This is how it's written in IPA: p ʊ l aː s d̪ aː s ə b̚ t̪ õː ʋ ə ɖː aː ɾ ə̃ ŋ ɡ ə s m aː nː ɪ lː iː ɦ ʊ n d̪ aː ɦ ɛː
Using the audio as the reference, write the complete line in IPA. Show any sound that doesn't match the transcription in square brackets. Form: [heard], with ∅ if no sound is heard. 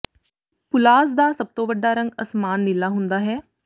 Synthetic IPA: p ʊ l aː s d̪ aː s ə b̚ t̪ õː ʋ ə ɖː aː ɾ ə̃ ŋ ɡ ə s m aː nː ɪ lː [aː] ɦ ʊ n d̪ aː ɦ ɛː

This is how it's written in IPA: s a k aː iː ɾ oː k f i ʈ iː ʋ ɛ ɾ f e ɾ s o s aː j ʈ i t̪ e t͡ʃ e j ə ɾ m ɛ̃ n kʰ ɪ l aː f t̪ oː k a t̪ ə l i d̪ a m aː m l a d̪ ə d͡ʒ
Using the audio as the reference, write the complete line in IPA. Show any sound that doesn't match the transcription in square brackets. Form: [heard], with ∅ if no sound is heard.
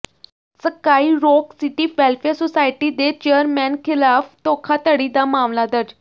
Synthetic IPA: s [ə] k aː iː ɾ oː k [s] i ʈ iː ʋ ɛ [l] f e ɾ s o s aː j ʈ i [d̪] e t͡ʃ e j ə ɾ m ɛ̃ n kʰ ɪ l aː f t̪ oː [kʰ] a t̪ ə [ɽ] i d̪ a m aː m l a d̪ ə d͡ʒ

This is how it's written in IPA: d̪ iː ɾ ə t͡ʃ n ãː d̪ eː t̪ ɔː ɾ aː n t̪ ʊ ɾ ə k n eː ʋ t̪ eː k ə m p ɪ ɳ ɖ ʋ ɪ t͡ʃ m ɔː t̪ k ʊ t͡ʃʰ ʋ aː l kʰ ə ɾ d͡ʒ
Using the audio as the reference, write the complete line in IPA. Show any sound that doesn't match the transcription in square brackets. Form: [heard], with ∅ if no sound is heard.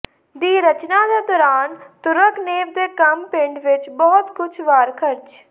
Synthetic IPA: d̪ iː ɾ ə t͡ʃ n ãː d̪ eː [d̪] ɔː ɾ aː n t̪ ʊ ɾ ə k n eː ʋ [d̪] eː k ə m p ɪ ɳ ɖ ʋ ɪ t͡ʃ [b] ɔː t̪ k ʊ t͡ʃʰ ʋ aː [ɾ] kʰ ə ɾ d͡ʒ

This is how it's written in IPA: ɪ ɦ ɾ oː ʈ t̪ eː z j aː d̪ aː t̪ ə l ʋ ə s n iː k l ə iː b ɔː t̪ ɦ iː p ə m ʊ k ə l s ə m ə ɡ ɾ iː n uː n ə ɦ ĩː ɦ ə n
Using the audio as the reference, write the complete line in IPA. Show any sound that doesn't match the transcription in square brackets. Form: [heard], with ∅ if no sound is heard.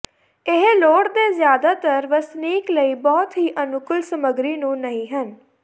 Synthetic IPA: ɪ ɦ [l] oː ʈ [d̪] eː z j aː d̪ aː t̪ ə [ɾ] ʋ ə s n iː k l ə iː b ɔː t̪ ɦ iː [ʔ] ə [n] ʊ k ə l s ə m ə ɡ ɾ iː n [ũː] n ə ɦ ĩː ɦ ə n

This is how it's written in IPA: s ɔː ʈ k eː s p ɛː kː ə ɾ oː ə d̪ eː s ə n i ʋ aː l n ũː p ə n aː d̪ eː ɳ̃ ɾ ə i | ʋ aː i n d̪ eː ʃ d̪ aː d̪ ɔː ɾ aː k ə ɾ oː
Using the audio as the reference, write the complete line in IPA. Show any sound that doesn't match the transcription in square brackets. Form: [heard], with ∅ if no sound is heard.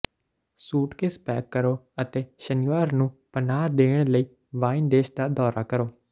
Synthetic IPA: s [uː] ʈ k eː s p ɛː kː ə ɾ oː ə [t̪] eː [ʃ] ə n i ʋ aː [ɾ] n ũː p ə n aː d̪ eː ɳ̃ [l] ə [iː] | ʋ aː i n d̪ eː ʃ d̪ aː d̪ ɔː ɾ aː k ə ɾ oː

